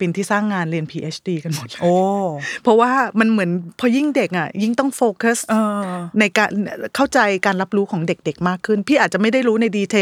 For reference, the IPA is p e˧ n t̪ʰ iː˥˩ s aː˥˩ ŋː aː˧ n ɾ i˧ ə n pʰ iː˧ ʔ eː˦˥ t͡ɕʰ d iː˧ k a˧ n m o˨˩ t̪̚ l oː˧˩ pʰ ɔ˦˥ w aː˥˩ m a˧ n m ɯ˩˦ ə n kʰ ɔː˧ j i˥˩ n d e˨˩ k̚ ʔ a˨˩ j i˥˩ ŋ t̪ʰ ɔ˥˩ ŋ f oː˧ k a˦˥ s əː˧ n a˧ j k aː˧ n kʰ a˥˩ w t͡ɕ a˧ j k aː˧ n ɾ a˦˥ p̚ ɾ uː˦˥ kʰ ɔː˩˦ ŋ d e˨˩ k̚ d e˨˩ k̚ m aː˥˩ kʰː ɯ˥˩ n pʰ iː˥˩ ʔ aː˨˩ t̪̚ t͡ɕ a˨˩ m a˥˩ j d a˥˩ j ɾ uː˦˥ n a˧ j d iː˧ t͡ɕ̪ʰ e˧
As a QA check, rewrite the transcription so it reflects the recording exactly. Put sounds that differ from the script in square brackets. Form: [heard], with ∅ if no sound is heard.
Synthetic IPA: p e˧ n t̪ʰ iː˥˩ s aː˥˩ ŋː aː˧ n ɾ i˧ ə n pʰ iː˧ ʔ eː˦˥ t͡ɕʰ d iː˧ k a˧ n m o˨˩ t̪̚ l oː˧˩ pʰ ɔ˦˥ w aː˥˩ m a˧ n m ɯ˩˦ ə n [pʰ] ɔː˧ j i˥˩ [ŋ] d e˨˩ k̚ ʔ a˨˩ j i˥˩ ŋ [t̪] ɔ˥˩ ŋ f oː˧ k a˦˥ s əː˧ n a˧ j k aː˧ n kʰ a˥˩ w t͡ɕ a˧ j k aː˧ n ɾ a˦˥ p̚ ɾ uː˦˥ kʰ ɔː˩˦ ŋ d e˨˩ k̚ d e˨˩ k̚ m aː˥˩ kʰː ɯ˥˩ n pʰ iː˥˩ ʔ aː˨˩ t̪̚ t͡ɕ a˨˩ m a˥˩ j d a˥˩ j ɾ uː˦˥ n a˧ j d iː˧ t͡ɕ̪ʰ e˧